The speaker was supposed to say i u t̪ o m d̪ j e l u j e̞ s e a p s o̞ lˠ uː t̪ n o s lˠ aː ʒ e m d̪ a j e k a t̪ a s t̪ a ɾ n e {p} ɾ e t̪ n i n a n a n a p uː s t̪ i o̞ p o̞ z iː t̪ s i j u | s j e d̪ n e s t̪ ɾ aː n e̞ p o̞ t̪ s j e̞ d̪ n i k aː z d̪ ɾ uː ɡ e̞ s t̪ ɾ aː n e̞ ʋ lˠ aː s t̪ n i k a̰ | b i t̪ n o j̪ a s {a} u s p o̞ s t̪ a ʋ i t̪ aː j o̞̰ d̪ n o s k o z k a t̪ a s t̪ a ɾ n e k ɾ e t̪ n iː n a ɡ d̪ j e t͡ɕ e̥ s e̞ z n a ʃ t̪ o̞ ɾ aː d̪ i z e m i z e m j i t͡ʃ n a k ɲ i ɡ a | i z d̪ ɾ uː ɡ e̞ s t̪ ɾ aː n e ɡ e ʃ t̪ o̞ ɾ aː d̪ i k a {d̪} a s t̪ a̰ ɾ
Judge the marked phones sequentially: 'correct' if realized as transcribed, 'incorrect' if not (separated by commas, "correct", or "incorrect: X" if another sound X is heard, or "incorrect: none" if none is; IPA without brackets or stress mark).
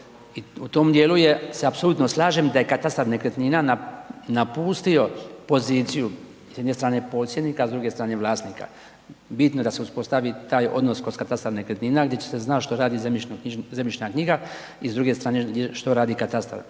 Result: incorrect: k, incorrect: e, incorrect: t̪